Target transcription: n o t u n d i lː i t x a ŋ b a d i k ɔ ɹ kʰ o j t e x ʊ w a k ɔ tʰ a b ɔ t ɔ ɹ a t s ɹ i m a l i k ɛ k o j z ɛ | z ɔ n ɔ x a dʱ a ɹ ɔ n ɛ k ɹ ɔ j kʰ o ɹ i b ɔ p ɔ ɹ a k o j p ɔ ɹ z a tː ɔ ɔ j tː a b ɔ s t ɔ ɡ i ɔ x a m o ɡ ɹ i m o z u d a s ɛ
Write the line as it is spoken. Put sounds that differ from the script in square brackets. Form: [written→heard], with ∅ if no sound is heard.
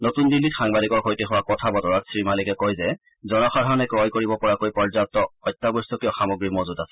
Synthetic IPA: n o t u n d i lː i t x a ŋ b a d i k ɔ ɹ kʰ o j t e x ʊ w a k ɔ tʰ a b ɔ t ɔ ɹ a t s ɹ i m a l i k ɛ k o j z ɛ | z ɔ n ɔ x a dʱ a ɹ ɔ n ɛ k ɹ ɔ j [kʰ→k] o ɹ i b ɔ p ɔ ɹ a k o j p ɔ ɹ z a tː ɔ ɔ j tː a b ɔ s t ɔ [ɡ→k] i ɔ x a m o ɡ ɹ i m o z u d a s ɛ